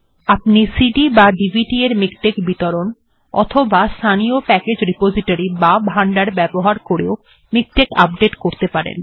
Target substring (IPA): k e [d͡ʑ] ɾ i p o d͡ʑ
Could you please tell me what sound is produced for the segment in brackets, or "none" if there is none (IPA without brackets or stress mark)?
d͡ʑ